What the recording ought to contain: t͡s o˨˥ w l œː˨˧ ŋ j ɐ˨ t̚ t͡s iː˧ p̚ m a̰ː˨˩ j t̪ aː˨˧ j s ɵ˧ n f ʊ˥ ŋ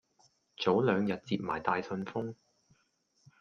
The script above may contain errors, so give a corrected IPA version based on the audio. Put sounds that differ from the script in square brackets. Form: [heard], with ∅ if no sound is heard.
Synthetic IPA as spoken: t͡s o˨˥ w l œː˨˧ ŋ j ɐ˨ t̚ t͡s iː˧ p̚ m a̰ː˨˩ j t̪ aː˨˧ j s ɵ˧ n f ʊ˥ ŋ